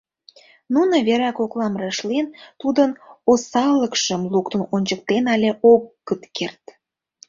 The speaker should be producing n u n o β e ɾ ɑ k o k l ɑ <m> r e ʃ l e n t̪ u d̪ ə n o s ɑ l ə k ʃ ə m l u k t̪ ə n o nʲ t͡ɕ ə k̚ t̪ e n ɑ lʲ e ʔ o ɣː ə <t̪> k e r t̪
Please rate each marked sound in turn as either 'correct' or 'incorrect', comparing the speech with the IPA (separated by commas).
correct, correct